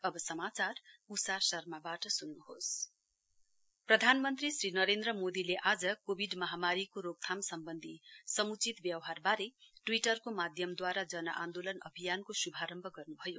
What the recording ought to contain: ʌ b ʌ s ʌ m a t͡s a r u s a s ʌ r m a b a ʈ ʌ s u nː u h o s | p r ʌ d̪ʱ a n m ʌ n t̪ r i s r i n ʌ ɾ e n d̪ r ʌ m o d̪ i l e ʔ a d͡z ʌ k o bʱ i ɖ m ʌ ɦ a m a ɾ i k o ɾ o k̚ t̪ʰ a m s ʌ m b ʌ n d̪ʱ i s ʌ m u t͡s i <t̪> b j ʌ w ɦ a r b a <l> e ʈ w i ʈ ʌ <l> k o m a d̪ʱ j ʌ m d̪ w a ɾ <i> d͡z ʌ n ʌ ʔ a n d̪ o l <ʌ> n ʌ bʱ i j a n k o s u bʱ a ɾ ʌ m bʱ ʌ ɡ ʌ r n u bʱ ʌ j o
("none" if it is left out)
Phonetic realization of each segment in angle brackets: t̪, ɾ, r, a, ʌ

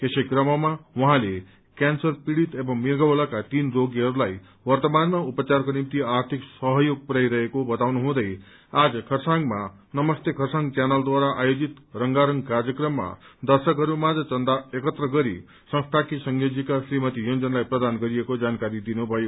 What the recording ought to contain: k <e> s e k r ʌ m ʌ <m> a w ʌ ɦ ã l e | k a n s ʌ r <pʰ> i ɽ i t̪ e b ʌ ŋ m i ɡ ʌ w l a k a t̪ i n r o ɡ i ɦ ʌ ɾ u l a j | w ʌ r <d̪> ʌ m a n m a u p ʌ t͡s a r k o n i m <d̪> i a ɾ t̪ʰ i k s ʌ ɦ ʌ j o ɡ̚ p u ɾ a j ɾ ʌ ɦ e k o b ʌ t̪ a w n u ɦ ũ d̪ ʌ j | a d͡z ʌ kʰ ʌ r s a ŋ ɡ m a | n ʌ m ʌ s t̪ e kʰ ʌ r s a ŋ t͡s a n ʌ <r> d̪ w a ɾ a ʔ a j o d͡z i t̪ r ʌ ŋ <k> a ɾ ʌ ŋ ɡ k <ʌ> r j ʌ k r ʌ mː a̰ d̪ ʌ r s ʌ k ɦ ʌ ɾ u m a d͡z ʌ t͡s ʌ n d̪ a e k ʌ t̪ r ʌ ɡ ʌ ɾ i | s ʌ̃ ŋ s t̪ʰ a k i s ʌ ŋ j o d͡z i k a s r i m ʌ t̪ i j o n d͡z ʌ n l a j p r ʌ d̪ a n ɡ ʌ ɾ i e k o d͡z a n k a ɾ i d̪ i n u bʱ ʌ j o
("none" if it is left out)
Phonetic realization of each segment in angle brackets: e, m, p, t̪, t̪, l, ɡ, a

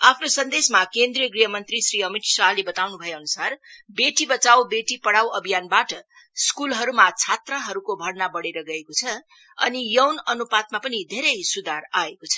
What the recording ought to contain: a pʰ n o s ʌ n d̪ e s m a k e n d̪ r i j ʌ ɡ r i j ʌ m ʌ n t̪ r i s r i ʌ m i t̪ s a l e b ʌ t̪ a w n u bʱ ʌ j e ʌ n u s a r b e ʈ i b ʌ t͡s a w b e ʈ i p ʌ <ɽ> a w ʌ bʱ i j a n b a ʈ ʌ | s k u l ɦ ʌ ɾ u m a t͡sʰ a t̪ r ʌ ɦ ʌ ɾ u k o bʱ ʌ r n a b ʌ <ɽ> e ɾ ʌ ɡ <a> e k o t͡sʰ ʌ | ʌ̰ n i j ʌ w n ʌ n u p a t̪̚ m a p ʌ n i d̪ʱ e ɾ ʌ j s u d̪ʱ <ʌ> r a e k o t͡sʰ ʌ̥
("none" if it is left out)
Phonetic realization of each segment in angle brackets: ɽ, ɽ, ʌ, a

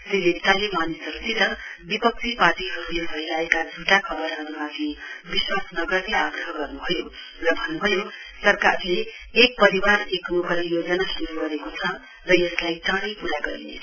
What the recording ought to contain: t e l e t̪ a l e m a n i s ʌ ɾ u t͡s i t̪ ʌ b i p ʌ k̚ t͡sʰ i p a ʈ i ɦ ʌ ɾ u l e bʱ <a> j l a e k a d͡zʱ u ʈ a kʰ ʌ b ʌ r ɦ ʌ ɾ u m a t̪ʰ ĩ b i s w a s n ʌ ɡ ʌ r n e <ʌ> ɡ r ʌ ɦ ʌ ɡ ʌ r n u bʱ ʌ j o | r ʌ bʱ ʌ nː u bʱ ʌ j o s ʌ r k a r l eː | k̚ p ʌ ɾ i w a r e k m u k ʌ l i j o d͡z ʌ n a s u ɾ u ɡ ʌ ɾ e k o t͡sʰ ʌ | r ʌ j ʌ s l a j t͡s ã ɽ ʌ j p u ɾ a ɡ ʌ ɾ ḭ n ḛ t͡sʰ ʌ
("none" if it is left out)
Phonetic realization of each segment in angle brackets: ʌ, a

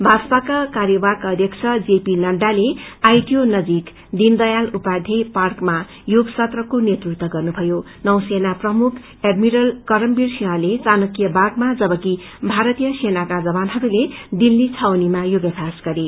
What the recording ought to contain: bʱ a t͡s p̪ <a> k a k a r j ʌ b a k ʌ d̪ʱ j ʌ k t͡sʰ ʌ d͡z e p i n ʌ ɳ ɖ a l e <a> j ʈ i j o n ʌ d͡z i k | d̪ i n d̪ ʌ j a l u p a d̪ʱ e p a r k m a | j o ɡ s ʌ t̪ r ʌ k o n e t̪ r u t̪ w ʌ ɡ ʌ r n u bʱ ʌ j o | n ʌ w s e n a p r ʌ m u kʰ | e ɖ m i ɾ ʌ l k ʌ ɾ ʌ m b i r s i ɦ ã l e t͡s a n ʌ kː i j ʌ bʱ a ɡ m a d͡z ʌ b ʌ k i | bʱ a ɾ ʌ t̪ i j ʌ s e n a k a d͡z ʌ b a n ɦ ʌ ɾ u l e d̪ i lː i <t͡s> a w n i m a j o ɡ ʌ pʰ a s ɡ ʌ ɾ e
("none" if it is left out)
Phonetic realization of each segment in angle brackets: a, a, t͡sʰ

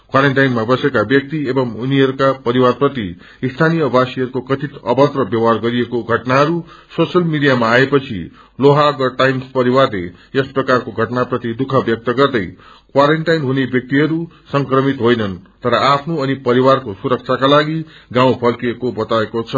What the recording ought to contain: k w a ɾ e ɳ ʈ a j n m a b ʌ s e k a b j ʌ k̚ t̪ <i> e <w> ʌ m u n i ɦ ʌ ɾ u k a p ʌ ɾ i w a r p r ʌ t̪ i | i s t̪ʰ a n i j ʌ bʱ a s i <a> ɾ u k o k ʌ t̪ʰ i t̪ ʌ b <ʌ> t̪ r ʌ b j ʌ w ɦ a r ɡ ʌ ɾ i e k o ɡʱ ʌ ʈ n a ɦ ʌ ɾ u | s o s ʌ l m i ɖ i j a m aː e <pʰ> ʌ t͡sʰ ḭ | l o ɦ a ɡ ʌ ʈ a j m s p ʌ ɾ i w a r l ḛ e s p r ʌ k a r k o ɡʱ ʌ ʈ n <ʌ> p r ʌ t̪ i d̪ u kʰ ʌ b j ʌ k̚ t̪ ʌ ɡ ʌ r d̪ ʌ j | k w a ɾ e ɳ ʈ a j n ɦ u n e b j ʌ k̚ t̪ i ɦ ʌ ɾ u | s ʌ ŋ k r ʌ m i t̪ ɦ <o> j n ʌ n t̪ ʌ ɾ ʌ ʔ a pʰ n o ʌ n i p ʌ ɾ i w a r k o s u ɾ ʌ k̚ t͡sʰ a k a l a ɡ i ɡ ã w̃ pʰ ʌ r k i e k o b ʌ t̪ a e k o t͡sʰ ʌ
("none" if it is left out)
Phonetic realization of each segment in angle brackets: i, b, ʌ, ʌ, p, a, o

